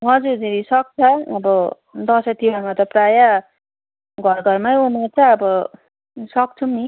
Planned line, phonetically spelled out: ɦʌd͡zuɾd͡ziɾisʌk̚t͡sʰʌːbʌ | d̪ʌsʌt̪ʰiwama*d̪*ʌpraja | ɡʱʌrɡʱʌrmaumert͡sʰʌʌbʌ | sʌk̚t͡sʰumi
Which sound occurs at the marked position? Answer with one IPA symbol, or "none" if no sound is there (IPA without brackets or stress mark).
t̪